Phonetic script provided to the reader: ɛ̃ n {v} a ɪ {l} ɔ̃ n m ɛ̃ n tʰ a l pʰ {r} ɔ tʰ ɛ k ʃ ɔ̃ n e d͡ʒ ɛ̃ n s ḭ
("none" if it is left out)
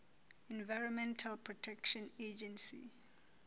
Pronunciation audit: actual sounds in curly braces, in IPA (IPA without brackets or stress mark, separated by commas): v, ɹ, ɹ